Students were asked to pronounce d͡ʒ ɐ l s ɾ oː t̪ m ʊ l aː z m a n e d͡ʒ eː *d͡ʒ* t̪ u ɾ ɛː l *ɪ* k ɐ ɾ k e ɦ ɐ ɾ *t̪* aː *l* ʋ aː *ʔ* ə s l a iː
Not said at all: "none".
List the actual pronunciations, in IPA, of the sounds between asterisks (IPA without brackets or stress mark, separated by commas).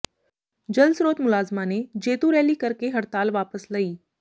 none, i, t̪, l, p